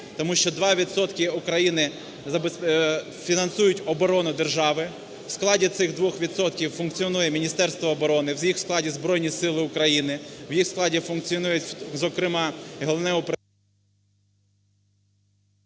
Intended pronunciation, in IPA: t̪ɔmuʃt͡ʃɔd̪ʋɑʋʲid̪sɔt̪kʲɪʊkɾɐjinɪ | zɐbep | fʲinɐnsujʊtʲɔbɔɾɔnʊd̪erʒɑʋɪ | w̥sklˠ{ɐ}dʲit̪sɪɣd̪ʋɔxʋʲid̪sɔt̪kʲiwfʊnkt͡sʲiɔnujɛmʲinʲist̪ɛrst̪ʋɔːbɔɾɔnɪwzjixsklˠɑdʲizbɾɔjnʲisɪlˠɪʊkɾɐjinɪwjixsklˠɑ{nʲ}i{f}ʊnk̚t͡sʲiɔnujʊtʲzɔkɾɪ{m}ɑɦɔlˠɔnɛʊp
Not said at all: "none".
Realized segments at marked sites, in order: ɑ, dʲ, f, m

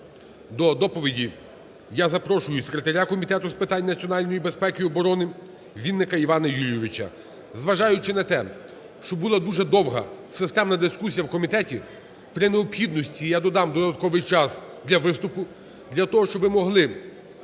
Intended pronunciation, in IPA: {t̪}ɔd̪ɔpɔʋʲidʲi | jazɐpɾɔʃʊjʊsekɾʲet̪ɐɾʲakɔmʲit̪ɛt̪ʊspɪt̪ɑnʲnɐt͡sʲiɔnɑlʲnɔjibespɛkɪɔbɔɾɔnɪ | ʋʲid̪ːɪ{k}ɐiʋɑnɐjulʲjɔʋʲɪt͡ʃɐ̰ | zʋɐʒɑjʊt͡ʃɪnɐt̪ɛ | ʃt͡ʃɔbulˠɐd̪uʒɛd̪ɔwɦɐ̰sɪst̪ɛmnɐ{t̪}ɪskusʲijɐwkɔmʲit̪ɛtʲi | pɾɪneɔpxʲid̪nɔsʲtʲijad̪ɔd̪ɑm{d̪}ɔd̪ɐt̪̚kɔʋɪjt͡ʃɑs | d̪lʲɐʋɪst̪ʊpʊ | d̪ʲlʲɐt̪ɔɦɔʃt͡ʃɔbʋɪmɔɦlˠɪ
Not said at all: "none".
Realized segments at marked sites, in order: d̪, k, d̪, d̪

